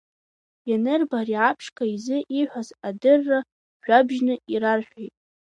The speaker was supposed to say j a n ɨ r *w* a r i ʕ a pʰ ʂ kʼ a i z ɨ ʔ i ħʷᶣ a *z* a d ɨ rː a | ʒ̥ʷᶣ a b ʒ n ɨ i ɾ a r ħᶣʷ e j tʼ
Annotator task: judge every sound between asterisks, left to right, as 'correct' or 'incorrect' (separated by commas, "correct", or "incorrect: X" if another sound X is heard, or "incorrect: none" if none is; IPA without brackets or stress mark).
incorrect: b, correct